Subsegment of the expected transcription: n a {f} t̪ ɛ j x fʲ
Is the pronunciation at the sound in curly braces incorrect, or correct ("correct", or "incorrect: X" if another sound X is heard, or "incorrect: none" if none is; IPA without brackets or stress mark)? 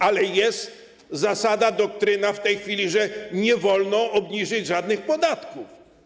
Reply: correct